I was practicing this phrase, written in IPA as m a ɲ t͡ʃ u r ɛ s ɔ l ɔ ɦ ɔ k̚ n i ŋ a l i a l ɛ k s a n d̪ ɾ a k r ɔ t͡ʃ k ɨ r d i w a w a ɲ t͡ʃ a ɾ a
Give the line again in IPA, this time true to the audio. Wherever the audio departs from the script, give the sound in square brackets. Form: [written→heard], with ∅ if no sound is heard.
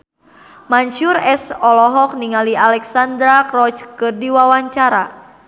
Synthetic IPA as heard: m a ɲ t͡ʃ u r ɛ s ɔ l ɔ ɦ ɔ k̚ n i ŋ a l i a l ɛ k s a n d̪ ɾ a k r ɔ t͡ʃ k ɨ r d i w a w a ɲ t͡ʃ a ɾ a